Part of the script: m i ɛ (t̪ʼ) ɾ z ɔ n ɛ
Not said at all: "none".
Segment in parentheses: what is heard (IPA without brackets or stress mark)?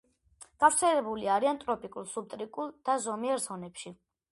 none